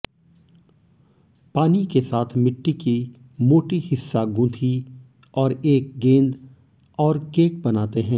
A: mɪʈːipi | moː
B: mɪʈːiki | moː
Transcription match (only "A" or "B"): B